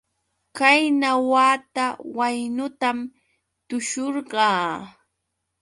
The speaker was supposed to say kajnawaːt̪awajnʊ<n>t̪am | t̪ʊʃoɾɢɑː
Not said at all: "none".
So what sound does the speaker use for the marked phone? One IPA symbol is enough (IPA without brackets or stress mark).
none